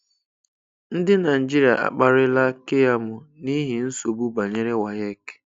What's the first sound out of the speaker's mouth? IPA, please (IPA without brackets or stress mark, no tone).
n̩